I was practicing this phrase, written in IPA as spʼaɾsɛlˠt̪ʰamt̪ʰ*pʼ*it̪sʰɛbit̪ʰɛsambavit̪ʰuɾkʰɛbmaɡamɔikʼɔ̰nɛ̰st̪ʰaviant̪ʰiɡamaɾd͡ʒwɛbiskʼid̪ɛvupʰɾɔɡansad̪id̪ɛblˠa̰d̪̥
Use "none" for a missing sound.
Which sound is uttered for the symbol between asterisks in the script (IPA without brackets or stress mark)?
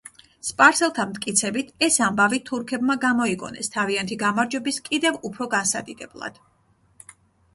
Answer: kʼ